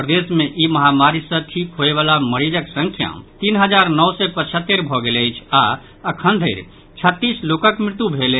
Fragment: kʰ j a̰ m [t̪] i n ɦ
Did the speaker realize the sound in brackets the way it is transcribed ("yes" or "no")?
yes